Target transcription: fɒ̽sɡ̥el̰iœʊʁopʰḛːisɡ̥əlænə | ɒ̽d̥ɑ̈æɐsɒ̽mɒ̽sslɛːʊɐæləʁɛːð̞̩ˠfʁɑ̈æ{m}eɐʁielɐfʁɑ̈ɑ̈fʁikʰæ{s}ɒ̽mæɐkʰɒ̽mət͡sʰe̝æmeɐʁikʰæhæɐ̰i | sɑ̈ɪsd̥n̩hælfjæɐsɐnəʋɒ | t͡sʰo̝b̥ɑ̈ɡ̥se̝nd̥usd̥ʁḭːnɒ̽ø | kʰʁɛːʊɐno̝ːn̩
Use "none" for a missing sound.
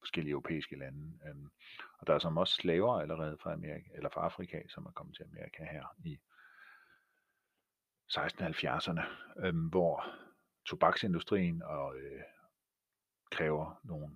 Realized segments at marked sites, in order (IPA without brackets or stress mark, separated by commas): m, s